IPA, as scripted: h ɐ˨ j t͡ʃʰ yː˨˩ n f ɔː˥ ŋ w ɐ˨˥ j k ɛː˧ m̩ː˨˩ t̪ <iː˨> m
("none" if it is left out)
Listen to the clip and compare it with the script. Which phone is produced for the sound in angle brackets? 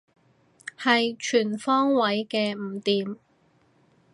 iː˨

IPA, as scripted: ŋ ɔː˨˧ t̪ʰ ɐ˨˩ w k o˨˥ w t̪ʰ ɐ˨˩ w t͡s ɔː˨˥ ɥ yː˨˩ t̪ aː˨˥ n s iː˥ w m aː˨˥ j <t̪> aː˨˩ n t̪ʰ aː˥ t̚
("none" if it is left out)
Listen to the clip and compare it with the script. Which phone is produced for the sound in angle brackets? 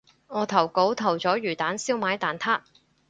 t̪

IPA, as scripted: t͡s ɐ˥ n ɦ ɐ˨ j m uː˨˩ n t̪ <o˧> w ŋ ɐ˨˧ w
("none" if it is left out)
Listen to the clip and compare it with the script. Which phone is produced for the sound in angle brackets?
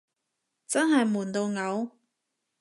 o˧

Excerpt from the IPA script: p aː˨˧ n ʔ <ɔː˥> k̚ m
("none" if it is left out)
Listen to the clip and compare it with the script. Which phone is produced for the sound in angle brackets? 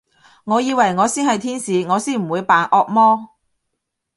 ɔː˧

